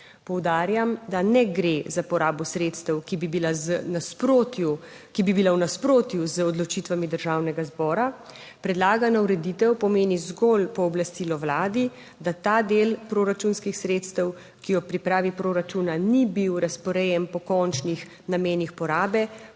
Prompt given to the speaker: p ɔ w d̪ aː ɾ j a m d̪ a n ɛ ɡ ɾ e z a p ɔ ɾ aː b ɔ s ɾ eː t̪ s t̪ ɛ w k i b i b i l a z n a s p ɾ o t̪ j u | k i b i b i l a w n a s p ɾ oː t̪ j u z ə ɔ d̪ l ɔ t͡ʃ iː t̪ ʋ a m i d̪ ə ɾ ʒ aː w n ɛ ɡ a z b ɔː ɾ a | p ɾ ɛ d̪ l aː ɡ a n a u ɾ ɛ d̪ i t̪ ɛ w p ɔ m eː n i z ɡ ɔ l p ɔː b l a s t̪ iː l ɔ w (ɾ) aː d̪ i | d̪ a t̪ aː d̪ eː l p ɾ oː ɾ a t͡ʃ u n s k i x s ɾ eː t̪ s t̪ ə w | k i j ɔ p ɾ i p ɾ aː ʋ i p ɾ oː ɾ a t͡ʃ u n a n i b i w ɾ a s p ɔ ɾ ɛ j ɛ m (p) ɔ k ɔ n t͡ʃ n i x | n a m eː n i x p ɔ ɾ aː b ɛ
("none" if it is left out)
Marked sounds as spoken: l, p

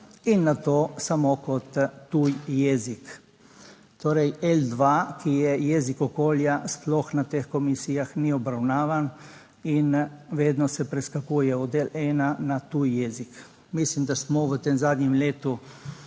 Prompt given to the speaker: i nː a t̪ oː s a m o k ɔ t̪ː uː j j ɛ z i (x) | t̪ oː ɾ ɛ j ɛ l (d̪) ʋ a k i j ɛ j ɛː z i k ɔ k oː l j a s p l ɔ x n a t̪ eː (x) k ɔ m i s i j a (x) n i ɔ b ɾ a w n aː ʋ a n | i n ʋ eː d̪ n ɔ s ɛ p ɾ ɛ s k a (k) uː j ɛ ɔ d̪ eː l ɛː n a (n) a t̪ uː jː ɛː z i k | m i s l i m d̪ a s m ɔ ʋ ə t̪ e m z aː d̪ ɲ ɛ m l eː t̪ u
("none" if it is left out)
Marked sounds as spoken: k, d̪, x, x, k, n

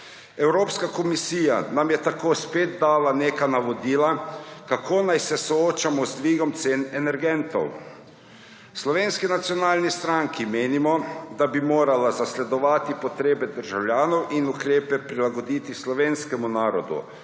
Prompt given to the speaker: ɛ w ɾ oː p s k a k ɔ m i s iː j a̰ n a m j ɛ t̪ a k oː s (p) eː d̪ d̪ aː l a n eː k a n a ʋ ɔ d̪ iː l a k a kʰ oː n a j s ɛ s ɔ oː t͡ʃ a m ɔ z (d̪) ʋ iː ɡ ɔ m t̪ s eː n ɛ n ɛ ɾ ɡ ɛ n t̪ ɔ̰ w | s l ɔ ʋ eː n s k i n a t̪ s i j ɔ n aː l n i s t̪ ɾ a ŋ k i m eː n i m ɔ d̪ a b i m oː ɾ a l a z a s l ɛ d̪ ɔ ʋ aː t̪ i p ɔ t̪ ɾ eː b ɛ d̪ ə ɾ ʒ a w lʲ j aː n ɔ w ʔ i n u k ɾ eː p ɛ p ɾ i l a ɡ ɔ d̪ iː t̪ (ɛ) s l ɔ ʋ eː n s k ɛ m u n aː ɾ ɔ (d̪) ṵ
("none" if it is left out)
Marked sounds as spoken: p, d̪, i, d̪

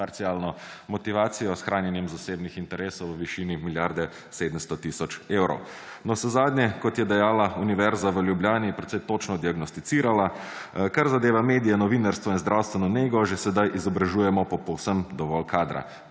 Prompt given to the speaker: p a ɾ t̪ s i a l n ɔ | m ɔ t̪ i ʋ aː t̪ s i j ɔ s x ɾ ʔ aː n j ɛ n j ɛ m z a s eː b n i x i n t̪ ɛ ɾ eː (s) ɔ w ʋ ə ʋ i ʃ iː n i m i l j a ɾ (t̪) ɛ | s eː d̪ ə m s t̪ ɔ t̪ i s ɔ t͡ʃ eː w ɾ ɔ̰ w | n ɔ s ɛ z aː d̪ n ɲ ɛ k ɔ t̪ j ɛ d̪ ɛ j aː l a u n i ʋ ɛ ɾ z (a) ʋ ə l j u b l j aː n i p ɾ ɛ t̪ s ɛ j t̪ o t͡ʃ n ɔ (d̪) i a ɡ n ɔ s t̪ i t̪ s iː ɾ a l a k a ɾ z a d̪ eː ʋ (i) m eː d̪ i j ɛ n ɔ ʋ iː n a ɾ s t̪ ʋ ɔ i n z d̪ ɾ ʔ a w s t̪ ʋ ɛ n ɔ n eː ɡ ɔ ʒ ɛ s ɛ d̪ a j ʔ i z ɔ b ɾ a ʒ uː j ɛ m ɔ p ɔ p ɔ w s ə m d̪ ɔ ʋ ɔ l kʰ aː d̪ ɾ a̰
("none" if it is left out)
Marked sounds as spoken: s, d̪, a, d̪, a

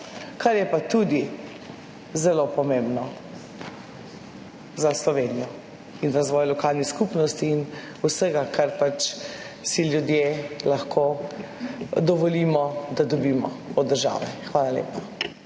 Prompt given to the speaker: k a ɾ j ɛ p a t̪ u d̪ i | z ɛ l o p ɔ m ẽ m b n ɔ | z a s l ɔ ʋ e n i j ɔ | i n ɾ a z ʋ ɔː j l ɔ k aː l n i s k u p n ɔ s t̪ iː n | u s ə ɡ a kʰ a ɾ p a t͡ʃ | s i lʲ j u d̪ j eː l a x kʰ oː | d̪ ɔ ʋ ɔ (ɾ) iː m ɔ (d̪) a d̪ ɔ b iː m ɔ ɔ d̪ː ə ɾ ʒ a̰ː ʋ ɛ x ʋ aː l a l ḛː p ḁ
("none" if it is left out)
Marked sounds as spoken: l, d̪

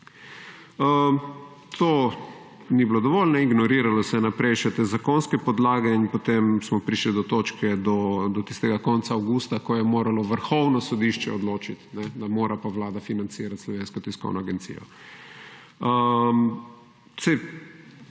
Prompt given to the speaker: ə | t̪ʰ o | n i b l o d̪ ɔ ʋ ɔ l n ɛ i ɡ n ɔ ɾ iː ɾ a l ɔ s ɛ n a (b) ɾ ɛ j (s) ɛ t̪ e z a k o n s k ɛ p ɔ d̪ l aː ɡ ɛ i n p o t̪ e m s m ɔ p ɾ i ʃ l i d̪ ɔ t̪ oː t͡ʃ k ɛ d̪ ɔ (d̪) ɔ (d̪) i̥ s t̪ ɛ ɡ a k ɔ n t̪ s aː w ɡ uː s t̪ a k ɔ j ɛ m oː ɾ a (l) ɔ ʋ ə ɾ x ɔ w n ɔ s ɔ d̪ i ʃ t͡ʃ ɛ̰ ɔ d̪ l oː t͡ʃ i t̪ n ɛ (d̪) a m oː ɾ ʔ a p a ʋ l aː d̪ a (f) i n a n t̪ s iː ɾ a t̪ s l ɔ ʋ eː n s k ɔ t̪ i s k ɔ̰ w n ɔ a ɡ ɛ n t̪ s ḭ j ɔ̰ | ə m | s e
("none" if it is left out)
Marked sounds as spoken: p, ʃ, d̪, t̪, l, d̪, f

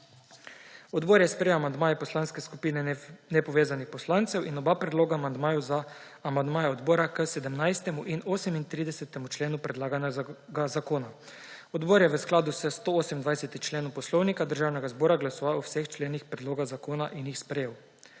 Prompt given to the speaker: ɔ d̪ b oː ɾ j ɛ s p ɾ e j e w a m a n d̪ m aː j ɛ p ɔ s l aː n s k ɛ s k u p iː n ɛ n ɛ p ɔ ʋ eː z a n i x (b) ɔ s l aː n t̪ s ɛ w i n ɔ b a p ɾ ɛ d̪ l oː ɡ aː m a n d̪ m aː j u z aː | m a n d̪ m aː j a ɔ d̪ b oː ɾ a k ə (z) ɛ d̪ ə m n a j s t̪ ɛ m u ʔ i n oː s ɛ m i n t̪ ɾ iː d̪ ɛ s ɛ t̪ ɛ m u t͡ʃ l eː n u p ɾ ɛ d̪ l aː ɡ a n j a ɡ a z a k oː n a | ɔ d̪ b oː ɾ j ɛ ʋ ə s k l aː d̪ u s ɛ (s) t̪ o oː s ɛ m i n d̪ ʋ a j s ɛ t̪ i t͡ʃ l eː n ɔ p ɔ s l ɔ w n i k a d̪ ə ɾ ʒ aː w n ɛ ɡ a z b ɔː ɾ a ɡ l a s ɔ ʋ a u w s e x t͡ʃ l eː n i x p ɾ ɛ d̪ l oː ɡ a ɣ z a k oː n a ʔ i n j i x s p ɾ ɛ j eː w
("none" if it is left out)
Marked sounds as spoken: p, s, s

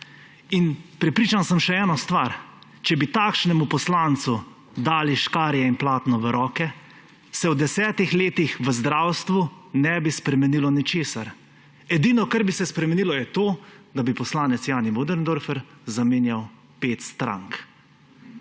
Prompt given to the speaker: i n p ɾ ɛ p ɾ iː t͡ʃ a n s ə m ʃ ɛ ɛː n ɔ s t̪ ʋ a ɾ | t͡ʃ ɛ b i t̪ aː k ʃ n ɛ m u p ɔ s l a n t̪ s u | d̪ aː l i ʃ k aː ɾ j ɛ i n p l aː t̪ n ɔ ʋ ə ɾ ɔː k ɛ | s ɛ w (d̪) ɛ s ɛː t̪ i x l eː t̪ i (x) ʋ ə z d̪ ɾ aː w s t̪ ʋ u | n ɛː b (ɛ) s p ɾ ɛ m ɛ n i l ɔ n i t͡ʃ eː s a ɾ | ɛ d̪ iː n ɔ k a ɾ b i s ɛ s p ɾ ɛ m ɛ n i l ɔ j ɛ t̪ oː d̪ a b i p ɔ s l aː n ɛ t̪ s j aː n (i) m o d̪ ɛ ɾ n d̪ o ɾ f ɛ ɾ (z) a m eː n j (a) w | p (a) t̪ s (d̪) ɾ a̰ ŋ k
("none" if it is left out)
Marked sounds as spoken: d̪, x, i, i, z, a, e, t̪

